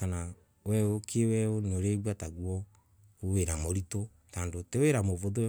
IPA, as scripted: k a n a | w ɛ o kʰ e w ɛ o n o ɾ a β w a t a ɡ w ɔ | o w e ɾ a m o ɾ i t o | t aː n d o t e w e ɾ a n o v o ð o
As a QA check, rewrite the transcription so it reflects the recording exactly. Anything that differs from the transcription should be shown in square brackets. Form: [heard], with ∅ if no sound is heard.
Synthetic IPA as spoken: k a n a | w ɛ o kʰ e w ɛ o n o ɾ [e] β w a t a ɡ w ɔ | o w e ɾ a m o ɾ i t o | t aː n d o t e w e ɾ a [m] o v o ð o